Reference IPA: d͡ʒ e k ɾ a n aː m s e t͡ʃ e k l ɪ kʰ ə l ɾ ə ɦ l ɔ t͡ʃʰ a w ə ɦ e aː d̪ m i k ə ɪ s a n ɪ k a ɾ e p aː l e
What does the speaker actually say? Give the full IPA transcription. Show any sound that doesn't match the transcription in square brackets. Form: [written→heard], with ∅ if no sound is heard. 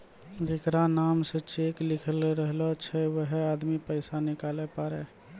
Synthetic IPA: d͡ʒ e k ɾ a n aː m s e t͡ʃ e k l ɪ kʰ ə l ɾ ə ɦ l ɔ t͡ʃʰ [a→ɛ] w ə ɦ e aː d̪ m i [k→p] ə ɪ s a n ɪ k a [ɾ→l] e p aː [l→ɾ] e